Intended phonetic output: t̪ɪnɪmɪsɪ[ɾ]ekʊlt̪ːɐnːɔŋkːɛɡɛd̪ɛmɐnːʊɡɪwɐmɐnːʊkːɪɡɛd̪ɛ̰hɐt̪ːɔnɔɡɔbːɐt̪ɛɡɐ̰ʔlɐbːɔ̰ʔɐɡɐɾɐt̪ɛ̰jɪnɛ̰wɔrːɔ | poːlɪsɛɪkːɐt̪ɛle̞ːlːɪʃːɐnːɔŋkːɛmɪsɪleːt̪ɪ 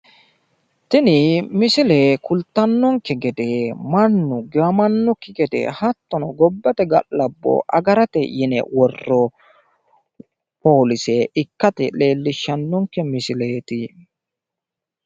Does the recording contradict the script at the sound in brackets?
yes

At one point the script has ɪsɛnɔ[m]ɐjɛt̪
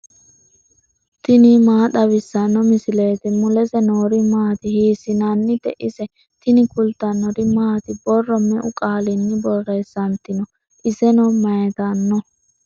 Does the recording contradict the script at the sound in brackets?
no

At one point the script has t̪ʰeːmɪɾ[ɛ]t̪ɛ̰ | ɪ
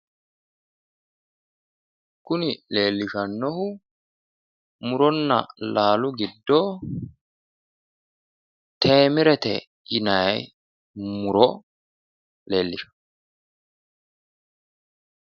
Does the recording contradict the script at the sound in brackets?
no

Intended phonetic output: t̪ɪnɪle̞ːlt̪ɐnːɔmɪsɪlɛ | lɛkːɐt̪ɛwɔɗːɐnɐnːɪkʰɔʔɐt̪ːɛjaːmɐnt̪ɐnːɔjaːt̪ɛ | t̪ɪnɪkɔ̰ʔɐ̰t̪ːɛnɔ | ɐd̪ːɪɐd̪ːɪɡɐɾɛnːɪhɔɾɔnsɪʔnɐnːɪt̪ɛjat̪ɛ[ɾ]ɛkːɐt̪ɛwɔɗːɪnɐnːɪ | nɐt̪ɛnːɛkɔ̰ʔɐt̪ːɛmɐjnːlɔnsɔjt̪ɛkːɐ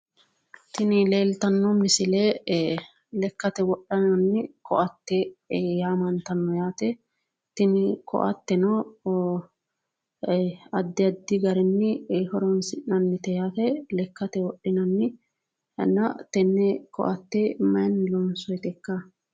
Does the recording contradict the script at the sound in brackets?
yes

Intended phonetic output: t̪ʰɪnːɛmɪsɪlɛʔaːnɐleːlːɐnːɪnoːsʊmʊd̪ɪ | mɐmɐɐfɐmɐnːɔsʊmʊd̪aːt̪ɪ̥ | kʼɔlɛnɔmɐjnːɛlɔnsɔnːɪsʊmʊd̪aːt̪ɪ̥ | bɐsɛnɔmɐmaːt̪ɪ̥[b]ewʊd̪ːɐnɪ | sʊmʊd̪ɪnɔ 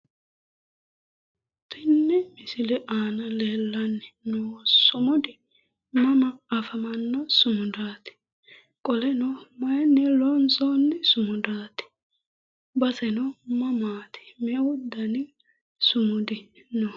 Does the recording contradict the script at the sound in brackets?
yes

